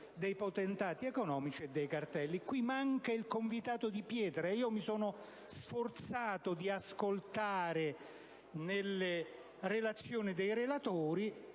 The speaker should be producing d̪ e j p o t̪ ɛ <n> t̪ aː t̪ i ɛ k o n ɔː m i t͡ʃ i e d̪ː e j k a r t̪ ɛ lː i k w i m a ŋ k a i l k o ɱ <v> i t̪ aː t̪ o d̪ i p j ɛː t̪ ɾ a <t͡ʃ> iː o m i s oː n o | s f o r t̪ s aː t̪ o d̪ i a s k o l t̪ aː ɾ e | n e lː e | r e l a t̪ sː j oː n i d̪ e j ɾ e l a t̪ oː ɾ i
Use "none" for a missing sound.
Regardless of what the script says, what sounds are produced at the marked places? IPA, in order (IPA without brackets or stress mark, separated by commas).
n, v, none